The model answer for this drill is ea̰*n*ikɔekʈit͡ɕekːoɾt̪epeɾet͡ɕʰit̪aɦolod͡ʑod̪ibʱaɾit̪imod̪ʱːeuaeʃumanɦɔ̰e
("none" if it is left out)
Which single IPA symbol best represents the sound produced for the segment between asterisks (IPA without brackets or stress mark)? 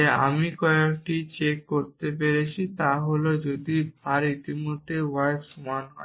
m